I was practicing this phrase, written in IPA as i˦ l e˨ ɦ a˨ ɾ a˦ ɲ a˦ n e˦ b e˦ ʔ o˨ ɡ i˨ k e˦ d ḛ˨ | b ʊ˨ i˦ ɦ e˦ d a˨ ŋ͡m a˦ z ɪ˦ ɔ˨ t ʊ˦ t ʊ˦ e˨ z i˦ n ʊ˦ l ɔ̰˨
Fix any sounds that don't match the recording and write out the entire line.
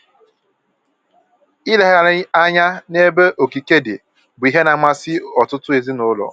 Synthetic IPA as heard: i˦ l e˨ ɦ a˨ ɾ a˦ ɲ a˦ n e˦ b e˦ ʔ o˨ k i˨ k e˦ d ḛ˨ | b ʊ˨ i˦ ɦ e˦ n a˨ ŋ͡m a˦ s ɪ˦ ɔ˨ t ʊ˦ t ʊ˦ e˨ z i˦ n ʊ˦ l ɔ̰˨